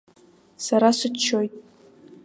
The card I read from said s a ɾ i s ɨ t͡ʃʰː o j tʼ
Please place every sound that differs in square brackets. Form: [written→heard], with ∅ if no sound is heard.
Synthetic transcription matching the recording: s a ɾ [i→a] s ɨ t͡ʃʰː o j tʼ